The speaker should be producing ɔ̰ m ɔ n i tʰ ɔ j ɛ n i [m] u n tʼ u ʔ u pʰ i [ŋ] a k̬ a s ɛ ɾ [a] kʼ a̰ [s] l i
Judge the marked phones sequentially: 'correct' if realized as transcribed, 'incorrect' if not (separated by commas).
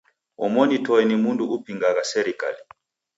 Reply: correct, correct, incorrect, incorrect